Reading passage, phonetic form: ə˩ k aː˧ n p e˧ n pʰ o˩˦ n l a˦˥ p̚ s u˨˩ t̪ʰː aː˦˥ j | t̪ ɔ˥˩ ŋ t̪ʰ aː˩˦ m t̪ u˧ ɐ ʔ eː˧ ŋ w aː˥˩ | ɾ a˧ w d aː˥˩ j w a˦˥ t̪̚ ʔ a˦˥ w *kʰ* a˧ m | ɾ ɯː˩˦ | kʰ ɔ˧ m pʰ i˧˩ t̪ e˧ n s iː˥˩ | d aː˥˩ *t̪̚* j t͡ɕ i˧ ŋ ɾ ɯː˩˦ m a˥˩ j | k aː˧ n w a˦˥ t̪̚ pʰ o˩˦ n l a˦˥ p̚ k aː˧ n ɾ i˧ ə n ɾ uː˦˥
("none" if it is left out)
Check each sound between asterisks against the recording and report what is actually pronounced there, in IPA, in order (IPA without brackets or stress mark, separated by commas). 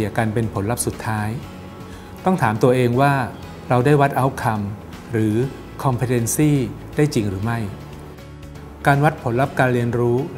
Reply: kʰ, none